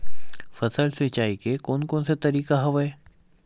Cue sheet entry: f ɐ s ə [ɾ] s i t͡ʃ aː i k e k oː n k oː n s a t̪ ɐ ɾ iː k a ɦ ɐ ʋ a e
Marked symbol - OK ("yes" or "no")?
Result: no